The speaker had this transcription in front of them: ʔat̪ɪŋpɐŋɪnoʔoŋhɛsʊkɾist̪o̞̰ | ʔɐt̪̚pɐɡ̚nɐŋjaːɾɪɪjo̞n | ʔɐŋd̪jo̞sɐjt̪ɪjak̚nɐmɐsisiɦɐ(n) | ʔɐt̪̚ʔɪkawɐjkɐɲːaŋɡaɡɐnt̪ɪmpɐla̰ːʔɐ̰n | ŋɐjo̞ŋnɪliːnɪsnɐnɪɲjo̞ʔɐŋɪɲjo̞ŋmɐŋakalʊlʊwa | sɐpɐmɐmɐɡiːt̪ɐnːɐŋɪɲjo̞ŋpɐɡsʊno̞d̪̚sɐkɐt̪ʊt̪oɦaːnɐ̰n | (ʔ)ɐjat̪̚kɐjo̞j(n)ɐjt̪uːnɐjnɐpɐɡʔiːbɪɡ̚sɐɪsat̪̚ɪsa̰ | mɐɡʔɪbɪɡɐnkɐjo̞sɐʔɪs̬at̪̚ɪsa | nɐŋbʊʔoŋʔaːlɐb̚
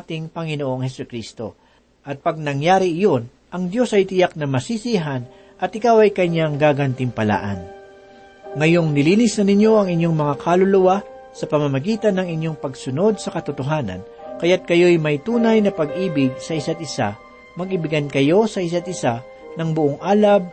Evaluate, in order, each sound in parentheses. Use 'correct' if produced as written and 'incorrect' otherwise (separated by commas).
correct, incorrect, incorrect